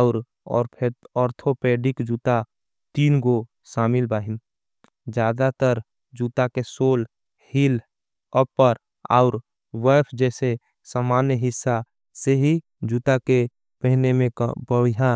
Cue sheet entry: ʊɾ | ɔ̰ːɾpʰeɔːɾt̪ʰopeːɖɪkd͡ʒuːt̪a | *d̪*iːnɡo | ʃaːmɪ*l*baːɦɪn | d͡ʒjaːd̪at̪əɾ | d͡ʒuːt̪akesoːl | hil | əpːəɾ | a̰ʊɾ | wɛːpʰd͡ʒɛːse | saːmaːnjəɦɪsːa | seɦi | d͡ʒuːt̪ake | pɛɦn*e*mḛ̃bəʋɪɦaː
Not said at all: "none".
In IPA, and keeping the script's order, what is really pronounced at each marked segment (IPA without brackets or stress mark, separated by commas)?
t̪, l, e